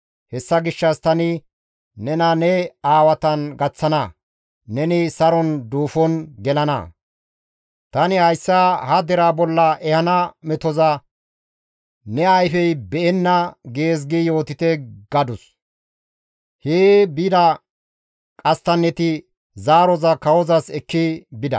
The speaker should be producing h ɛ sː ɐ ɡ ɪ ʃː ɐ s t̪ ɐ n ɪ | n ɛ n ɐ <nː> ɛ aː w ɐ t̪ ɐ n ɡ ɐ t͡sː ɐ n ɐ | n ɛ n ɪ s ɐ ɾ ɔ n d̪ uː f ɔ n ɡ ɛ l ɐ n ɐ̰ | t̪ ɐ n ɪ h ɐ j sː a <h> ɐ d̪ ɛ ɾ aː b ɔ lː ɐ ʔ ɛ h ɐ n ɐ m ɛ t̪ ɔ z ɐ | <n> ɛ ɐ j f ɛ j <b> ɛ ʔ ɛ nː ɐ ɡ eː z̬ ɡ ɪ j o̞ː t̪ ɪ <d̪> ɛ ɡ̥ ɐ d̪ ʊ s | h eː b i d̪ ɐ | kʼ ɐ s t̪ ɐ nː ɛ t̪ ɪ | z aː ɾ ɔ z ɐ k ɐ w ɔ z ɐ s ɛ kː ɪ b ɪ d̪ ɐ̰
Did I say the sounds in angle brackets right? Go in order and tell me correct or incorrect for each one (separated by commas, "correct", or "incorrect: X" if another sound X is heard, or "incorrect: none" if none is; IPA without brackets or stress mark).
incorrect: n, correct, correct, correct, incorrect: t̪